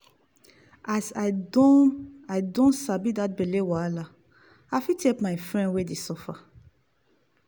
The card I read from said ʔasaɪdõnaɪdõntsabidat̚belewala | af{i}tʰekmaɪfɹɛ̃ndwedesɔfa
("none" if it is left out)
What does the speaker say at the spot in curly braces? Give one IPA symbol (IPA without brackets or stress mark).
i